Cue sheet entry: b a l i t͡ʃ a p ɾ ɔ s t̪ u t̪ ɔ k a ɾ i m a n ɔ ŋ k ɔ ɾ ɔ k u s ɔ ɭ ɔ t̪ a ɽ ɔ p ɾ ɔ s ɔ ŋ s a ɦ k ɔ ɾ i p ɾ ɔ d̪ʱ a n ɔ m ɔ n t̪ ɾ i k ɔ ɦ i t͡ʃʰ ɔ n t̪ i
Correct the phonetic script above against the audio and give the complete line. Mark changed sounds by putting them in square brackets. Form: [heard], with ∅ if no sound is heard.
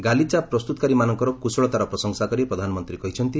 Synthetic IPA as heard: [ɡ] a l i t͡ʃ a p ɾ ɔ s t̪ u t̪ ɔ k a ɾ i m a n ɔ ŋ k ɔ ɾ ɔ k u s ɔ ɭ ɔ t̪ a [ɾ] ɔ p ɾ ɔ s ɔ ŋ s a [∅] k ɔ ɾ i p ɾ ɔ d̪ʱ a n ɔ m ɔ n t̪ ɾ i k ɔ ɦ i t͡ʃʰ ɔ n t̪ i